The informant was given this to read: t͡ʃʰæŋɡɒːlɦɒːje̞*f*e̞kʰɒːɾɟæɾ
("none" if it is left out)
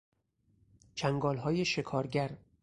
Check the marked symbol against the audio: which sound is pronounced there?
ʃ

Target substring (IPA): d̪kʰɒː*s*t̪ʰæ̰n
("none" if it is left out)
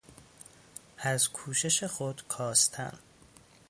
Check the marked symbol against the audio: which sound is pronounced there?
s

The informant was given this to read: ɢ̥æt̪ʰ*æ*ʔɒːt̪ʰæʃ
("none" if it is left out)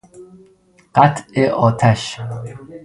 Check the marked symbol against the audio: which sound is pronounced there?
e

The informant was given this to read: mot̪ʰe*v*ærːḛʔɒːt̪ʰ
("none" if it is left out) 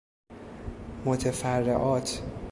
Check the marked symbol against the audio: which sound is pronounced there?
f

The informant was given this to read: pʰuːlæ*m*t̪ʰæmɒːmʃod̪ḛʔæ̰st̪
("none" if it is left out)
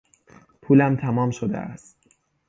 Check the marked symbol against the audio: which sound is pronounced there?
m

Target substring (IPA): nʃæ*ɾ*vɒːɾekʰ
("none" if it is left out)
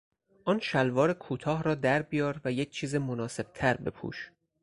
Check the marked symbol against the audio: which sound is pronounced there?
l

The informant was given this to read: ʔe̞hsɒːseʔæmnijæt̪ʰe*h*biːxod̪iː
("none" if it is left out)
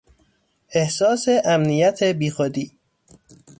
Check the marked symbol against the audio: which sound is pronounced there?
none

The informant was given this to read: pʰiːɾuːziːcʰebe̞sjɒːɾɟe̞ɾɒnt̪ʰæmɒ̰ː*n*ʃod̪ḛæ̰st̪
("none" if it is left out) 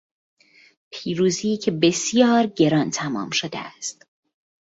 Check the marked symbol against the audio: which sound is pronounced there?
m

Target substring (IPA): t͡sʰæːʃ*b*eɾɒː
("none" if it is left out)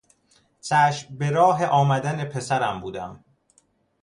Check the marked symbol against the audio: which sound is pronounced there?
b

